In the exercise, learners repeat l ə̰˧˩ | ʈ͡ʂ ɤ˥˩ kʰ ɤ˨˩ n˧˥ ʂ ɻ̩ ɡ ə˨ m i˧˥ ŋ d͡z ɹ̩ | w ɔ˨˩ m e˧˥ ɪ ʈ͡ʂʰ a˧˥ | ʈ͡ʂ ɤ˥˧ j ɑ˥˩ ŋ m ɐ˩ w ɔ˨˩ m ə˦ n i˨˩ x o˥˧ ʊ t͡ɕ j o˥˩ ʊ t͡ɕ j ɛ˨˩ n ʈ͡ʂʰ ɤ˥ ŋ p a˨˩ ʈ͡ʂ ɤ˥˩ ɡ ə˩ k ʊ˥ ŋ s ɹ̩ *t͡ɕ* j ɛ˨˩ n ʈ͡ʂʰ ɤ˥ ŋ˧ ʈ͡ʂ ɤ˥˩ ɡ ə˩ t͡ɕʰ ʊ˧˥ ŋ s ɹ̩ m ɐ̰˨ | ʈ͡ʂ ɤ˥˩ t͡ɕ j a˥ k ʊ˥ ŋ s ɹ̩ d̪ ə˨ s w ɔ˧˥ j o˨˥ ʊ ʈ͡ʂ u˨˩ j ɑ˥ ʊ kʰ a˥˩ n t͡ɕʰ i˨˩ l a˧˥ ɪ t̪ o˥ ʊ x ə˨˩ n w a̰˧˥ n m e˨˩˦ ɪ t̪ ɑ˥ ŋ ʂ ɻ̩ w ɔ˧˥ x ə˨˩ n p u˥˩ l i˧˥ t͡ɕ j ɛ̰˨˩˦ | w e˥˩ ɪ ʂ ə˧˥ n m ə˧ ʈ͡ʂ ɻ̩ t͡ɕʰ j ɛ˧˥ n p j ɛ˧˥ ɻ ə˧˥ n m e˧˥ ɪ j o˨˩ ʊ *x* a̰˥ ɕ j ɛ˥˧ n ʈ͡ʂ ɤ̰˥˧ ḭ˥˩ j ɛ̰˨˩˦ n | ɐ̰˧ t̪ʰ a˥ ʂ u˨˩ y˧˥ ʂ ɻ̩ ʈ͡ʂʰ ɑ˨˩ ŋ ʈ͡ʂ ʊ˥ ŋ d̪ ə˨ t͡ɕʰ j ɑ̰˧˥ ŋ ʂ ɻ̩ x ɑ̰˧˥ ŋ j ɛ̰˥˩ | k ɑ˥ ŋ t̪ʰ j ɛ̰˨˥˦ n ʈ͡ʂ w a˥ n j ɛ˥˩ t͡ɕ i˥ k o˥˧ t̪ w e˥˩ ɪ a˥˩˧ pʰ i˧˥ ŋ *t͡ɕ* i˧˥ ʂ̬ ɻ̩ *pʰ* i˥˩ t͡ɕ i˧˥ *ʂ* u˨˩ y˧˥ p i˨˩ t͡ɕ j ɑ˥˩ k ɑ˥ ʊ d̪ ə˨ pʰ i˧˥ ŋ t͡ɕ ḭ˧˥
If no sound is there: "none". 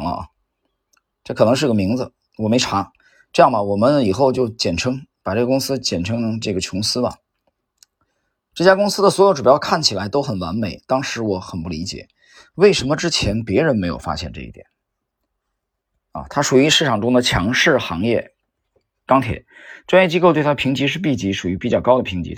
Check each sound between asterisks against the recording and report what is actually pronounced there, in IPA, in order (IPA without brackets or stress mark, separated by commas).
t͡ɕ, f, t͡ɕ, p, ʂ